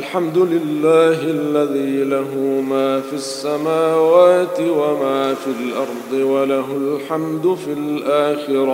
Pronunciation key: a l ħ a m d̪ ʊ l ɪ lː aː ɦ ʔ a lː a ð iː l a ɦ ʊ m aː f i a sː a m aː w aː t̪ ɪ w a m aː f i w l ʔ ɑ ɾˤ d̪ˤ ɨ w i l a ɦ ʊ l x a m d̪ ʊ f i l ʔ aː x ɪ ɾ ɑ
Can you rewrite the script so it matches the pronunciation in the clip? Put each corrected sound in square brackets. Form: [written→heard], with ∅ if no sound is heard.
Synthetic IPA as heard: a l ħ a m d̪ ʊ l ɪ lː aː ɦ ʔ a lː a ð iː l a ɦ ʊ m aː f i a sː a m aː w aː t̪ ɪ w a m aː f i [w→∅] l ʔ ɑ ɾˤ d̪ˤ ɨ w [i→a] l a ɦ ʊ l [x→ħ] a m d̪ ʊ f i l ʔ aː x ɪ ɾ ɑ